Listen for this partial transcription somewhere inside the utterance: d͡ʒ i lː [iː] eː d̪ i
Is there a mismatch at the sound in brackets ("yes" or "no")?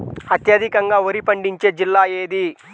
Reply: yes